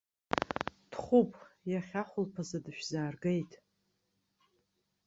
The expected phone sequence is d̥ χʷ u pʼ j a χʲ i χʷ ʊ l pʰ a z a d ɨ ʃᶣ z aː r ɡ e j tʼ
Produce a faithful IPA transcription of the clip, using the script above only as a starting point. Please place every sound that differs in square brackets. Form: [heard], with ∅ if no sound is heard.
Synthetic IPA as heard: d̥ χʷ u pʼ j a χʲ [a] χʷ ʊ l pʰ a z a d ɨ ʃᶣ z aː r ɡ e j tʼ